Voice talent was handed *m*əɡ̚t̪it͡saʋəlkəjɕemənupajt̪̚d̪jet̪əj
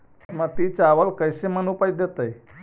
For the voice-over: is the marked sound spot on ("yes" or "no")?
yes